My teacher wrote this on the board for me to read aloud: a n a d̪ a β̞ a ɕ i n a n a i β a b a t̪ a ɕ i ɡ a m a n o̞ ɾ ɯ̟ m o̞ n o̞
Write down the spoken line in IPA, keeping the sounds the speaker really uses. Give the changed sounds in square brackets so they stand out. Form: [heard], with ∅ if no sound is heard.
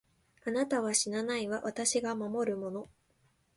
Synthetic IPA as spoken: a n a [t̪] a β̞ a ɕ i n a n a i β a [β] a t̪ a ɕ i ɡ a m a [m] o̞ ɾ ɯ̟ m o̞ n o̞